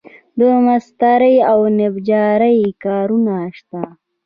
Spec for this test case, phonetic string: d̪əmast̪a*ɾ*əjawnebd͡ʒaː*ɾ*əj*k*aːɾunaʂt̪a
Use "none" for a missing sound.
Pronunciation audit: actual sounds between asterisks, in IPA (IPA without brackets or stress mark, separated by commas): ɾ, ɾ, k